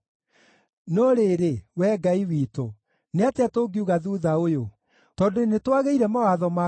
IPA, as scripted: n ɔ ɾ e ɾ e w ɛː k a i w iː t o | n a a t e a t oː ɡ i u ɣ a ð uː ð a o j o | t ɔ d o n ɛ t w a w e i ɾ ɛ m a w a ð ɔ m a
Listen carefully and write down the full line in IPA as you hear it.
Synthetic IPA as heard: n ɔ ɾ e ɾ e w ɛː ɡ a i w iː t o | n e a t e a t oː ɡ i u ɣ a ð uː ð a o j o | t ɔ d o n e t w a ɣ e i ɾ ɛ m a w a ð ɔ m a